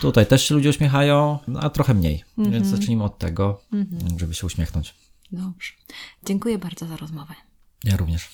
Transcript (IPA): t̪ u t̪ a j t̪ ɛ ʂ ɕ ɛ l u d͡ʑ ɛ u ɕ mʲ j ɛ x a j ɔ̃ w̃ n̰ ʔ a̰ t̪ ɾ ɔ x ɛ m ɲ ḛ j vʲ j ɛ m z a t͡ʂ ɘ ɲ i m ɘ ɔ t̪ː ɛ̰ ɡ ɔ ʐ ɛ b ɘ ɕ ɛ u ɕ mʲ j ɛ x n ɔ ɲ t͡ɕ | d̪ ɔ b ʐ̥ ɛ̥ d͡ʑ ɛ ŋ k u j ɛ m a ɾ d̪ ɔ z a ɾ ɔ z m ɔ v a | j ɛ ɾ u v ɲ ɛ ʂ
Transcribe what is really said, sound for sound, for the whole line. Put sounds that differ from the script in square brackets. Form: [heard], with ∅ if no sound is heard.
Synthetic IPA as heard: t̪ u t̪ a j t̪ ɛ ʂ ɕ ɛ l u d͡ʑ ɛ u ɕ mʲ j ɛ x a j ɔ̃ w̃ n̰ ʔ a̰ t̪ ɾ ɔ x ɛ m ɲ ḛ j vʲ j ɛ [n] z a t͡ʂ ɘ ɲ i m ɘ ɔ t̪ː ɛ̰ ɡ ɔ ʐ ɛ b ɘ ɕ ɛ u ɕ mʲ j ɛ x n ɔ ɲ t͡ɕ | d̪ ɔ b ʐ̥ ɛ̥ d͡ʑ ɛ ŋ k u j ɛ [b] a ɾ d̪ ɔ z a ɾ ɔ z m ɔ v [ɛ] | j [a] ɾ u v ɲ ɛ ʂ